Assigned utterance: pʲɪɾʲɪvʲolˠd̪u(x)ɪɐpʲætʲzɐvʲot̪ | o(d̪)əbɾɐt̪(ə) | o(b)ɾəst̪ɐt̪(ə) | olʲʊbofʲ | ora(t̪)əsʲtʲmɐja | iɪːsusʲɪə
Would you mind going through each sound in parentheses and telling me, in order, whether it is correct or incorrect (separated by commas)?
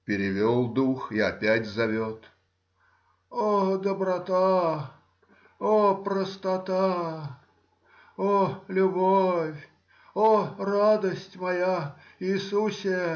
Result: correct, correct, incorrect, incorrect, incorrect, incorrect